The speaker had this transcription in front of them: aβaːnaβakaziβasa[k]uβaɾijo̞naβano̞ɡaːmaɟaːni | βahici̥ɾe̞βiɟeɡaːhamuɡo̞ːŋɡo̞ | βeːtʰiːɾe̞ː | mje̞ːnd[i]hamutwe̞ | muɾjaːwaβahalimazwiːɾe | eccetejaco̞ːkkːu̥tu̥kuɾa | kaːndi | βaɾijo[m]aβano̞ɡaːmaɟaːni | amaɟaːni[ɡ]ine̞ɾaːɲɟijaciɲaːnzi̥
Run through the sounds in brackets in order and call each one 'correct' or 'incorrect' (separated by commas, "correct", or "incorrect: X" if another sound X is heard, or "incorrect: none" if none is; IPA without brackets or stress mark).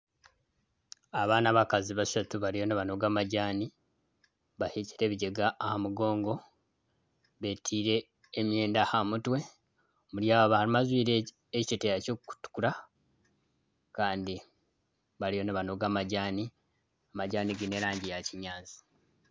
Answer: incorrect: t, incorrect: a, incorrect: n, correct